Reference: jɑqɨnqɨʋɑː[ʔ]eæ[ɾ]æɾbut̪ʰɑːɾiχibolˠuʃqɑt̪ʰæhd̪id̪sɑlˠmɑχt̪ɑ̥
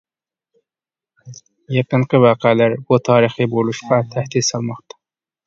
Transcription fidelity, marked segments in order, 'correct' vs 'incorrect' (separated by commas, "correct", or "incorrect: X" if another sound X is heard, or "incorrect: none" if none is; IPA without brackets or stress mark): incorrect: q, incorrect: l